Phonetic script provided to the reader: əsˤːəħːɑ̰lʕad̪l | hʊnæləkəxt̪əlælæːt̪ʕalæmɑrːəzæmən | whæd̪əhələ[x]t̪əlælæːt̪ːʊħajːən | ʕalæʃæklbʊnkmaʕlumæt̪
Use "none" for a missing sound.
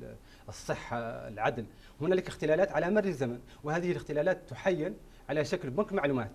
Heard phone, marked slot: x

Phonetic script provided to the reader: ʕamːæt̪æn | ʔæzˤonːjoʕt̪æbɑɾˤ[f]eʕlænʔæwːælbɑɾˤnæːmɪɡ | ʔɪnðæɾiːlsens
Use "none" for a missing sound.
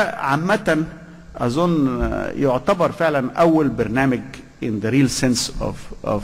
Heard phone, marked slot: f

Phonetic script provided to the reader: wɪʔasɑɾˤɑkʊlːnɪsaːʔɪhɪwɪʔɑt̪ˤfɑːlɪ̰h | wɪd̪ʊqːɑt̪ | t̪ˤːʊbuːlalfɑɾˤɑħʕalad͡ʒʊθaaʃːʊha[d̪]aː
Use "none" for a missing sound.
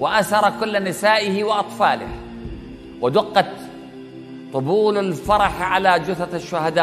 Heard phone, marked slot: d̪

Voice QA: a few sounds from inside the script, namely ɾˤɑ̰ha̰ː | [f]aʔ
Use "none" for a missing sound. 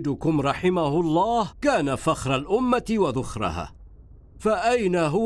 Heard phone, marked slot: f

